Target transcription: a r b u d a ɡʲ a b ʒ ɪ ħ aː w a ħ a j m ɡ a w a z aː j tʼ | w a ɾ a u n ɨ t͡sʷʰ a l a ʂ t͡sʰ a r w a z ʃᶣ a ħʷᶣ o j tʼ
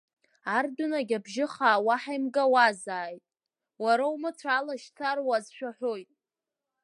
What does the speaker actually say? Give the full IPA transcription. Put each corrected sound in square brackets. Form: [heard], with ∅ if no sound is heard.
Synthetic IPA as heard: a r [d] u [n] a ɡʲ a b ʒ ɪ [χ] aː w a ħ a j m ɡ a w a z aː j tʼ | w a ɾ a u [m] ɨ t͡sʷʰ a l a [ʃ] t͡sʰ a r w a z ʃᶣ a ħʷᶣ o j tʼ